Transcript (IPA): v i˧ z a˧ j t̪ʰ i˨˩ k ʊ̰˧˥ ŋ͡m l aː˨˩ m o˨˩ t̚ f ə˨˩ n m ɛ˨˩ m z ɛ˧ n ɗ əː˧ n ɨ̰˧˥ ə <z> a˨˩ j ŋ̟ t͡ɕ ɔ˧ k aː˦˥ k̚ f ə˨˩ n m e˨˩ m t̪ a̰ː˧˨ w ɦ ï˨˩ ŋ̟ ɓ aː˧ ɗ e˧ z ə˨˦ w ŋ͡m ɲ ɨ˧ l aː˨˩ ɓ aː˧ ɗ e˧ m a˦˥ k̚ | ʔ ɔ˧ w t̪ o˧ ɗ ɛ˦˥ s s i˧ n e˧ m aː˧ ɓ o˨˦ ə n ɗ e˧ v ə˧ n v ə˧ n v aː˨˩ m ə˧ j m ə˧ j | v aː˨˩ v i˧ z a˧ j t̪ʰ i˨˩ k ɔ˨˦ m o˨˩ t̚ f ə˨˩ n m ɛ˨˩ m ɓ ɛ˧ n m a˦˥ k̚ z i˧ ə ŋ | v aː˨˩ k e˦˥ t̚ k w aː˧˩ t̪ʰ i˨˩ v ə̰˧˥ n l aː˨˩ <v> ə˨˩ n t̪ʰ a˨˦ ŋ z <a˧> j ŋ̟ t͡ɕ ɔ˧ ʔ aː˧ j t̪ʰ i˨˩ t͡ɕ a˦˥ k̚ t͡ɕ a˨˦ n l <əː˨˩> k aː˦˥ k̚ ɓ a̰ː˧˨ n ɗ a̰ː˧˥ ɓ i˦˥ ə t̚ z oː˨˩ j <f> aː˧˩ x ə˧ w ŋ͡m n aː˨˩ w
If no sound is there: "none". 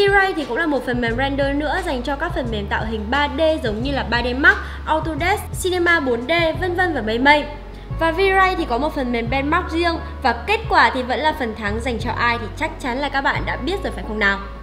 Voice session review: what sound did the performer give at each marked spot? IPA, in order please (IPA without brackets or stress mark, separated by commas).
z, f, a˨˩, aː˨˩, f